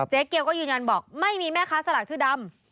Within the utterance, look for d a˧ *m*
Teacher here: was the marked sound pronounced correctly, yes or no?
yes